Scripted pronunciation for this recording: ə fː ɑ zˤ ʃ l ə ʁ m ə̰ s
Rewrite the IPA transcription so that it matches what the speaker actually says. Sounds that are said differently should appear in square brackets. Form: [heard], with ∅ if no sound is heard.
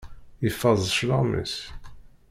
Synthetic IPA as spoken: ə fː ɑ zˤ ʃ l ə ʁ m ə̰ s